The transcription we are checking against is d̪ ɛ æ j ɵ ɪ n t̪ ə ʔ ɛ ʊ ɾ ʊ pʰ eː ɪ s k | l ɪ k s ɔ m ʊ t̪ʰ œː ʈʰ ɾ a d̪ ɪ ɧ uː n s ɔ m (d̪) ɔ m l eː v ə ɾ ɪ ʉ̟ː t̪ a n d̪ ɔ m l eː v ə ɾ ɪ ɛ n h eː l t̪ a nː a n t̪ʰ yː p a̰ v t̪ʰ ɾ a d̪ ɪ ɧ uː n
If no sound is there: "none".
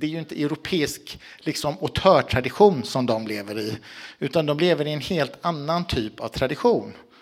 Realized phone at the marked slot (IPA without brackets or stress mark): d̪